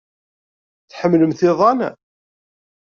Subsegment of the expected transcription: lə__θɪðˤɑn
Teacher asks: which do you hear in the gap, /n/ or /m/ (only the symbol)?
m